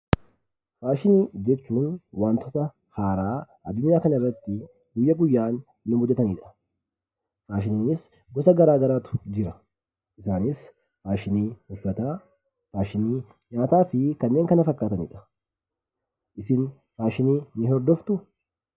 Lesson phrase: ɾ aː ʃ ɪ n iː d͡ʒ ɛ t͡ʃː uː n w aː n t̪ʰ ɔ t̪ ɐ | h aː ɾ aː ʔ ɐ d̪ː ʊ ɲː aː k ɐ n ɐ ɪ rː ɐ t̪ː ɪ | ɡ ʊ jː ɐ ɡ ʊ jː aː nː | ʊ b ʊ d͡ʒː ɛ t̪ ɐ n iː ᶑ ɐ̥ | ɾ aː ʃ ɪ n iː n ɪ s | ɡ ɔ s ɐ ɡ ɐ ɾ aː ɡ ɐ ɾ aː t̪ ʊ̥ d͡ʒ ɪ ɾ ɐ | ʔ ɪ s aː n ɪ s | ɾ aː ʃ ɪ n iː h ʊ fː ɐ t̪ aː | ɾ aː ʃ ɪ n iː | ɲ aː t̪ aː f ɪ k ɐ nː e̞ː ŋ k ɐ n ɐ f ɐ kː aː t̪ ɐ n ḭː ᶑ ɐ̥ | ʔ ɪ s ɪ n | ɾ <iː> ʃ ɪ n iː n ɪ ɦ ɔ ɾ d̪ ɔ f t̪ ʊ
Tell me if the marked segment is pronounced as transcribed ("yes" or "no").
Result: no